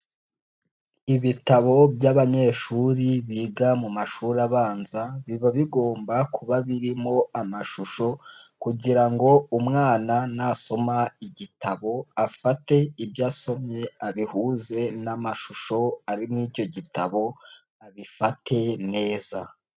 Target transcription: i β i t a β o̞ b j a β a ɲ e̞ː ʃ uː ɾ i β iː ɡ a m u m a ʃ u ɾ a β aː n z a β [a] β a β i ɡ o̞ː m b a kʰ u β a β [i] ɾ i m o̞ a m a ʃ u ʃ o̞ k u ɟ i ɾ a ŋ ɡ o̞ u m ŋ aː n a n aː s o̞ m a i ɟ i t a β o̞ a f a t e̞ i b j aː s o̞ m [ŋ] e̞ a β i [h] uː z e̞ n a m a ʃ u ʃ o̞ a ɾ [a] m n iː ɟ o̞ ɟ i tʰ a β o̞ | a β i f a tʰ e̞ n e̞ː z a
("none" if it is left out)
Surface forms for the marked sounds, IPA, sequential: i, i, ɲ, h, i

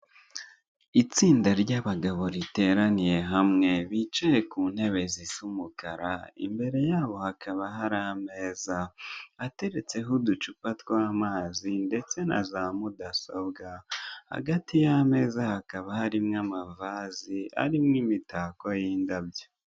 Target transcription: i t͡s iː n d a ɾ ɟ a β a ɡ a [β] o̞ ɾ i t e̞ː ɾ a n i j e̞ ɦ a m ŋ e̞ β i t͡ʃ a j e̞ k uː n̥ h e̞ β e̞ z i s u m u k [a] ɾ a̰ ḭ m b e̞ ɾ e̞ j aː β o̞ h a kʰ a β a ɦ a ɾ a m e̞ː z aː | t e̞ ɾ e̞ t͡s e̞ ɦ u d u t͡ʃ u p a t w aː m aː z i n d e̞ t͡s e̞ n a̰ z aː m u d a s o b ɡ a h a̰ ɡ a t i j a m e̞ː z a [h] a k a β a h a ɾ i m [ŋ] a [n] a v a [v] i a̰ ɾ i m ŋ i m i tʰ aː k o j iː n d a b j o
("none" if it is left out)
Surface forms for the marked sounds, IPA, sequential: β, a, h, ŋ, m, z

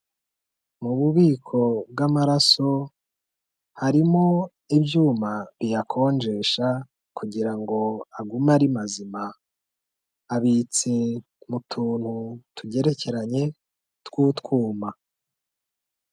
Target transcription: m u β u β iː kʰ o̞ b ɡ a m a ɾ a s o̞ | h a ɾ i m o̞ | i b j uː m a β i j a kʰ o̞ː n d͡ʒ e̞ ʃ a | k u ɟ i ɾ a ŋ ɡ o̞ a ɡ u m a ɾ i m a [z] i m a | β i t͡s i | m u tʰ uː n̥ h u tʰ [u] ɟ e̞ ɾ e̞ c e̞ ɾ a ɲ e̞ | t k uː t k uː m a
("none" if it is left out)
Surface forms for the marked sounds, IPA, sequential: z, u

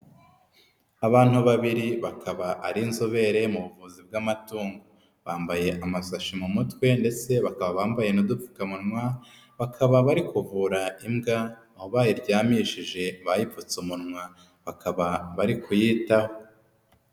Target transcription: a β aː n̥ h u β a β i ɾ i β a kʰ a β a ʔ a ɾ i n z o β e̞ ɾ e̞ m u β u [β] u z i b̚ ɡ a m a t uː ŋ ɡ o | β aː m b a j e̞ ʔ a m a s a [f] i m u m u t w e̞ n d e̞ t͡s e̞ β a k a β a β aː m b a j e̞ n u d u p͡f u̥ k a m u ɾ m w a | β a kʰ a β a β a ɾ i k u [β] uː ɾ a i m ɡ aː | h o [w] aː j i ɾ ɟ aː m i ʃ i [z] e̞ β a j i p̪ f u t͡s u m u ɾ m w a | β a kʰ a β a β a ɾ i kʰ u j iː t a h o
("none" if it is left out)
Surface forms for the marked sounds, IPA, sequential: v, ʃ, v, β, ʒ

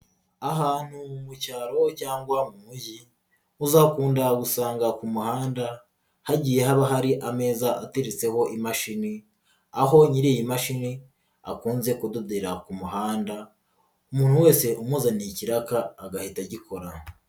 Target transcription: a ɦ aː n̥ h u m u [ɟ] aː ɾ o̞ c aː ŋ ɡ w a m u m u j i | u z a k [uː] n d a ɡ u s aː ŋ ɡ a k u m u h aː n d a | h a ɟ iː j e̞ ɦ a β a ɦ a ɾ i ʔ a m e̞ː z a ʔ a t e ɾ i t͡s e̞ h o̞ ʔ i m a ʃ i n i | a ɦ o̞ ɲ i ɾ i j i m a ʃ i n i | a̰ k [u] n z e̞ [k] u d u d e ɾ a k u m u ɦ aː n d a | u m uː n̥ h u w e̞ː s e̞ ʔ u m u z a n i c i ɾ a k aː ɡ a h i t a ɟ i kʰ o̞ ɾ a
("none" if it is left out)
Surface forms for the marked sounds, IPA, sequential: c, uː, uː, k

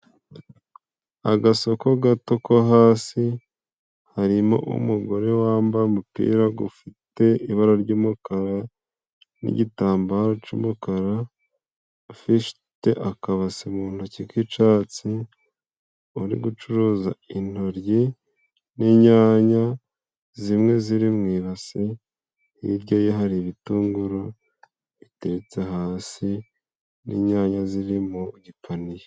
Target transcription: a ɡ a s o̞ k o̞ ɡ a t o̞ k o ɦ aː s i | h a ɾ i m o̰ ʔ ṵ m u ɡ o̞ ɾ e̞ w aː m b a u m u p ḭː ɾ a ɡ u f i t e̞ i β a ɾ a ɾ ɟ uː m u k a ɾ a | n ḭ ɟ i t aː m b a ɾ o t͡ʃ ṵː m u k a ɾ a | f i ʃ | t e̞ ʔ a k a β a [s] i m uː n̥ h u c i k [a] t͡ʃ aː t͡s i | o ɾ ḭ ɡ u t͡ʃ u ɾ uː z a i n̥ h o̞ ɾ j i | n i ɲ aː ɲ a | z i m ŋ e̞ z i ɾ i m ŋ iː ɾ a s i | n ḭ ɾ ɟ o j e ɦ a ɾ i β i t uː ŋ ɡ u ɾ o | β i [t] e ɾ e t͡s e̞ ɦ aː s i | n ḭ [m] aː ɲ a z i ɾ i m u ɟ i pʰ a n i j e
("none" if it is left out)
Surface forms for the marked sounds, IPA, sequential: s, i, t, ɲ

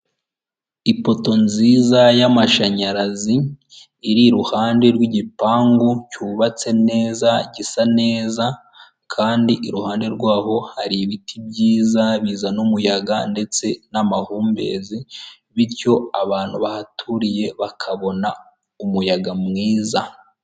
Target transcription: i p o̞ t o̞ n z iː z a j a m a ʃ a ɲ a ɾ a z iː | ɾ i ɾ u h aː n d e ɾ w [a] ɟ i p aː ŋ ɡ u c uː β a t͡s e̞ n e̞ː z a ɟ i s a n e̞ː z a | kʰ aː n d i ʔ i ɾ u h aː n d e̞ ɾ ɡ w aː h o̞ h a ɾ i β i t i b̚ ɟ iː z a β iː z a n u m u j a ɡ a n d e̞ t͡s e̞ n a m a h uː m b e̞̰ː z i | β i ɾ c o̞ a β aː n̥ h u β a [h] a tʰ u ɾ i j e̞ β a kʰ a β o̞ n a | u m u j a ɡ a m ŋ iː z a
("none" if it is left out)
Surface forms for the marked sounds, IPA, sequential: i, h

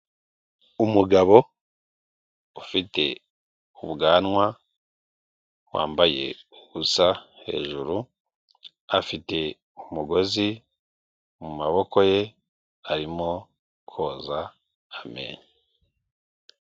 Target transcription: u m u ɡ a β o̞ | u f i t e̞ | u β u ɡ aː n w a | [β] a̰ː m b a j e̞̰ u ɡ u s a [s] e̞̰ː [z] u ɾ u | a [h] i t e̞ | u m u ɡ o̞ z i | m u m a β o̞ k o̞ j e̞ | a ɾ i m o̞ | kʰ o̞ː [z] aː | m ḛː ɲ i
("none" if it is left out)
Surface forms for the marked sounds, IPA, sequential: w, h, ʒ, f, z

